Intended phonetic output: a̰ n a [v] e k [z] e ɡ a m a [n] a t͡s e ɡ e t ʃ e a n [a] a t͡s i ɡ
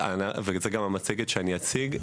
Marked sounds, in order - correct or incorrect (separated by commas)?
correct, correct, incorrect, incorrect